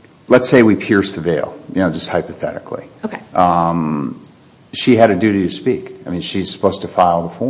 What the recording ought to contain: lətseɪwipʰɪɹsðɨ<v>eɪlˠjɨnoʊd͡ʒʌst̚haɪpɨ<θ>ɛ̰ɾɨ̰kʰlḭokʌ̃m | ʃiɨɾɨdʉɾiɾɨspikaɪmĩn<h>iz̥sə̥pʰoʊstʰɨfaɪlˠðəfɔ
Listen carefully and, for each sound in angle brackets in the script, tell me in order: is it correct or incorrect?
correct, correct, incorrect: ʃ

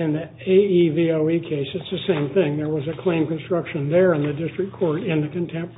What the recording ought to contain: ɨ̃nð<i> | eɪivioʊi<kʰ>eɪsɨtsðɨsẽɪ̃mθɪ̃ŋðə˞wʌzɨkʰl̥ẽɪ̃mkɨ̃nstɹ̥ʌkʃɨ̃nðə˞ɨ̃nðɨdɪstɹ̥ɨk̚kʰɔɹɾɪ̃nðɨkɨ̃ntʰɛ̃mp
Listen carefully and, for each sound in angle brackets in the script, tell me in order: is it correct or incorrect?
correct, correct

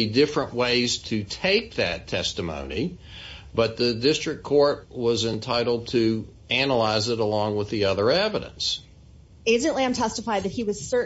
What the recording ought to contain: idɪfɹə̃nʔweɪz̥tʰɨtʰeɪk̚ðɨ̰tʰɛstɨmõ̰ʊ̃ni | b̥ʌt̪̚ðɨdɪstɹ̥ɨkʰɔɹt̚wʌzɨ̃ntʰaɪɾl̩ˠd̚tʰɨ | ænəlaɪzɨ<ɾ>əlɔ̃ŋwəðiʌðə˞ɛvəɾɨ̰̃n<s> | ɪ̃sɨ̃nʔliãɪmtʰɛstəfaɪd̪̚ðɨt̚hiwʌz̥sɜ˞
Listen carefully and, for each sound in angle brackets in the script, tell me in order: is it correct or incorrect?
correct, correct

